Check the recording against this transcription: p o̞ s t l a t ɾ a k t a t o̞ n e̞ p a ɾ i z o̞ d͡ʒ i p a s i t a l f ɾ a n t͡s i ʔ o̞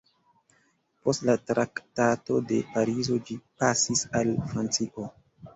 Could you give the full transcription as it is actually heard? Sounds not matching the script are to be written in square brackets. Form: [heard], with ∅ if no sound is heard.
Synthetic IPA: p o̞ s t l a t ɾ a k t a t o̞ [d] e̞ p a ɾ i z o̞ d͡ʒ i p a s i [s] a l f ɾ a n t͡s i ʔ o̞